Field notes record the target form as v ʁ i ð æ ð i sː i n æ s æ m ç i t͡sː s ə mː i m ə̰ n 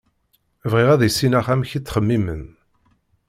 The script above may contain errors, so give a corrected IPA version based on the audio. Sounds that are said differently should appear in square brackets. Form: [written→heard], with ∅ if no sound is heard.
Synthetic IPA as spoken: v ʁ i [ð→ʁ] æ ð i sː i n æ [s→χ] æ m ç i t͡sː [s→χ] ə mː i m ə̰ n